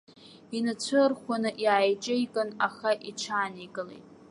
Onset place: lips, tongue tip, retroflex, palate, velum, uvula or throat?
tongue tip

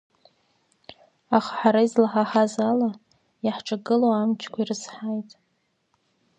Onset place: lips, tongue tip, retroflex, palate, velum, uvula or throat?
uvula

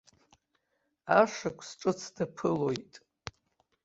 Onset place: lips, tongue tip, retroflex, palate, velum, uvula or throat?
retroflex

